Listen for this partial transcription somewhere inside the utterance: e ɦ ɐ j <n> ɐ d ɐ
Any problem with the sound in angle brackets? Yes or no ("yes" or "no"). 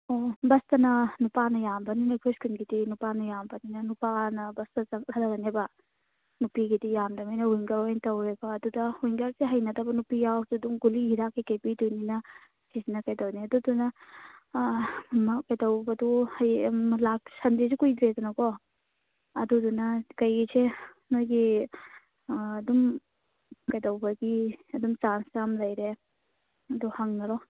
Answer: no